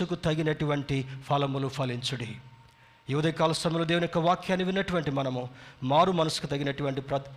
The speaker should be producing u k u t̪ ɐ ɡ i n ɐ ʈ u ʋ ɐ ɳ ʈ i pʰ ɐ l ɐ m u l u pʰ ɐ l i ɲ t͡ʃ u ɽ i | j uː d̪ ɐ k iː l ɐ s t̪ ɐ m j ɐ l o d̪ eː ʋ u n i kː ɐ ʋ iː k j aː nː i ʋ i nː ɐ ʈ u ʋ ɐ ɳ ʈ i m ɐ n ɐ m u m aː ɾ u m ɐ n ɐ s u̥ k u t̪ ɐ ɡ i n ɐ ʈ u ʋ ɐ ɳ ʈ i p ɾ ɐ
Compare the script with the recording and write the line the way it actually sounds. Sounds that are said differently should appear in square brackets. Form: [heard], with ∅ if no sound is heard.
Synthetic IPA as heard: u k u t̪ ɐ ɡ i n ɐ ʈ u ʋ ɐ ɳ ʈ i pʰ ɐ l ɐ m u l u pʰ ɐ l i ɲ t͡ʃ u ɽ i | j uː d̪ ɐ k [aː] l ɐ s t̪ ɐ m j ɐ l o d̪ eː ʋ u n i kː ɐ ʋ [aː] k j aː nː i ʋ i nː ɐ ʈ u ʋ ɐ ɳ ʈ i m ɐ n ɐ m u m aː ɾ u m ɐ n ɐ s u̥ k u t̪ ɐ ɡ i n ɐ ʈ u ʋ ɐ ɳ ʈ i p ɾ ɐ